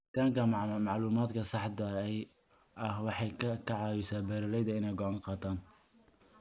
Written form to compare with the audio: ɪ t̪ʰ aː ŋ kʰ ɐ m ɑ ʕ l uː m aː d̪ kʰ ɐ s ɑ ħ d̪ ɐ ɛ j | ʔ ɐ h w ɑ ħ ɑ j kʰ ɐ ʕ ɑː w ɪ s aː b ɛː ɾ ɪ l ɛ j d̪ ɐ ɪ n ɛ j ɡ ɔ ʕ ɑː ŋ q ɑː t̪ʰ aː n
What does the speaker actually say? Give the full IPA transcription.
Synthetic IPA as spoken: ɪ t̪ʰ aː ŋ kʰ ɐ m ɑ ʕ l uː m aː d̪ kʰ ɐ s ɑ ħ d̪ ɐ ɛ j | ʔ ɐ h w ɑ ħ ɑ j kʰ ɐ ʕ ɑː w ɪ s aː b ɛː ɾ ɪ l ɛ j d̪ ɐ ɪ n ɛ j ɡ ɔ ʕ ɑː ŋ q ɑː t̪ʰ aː n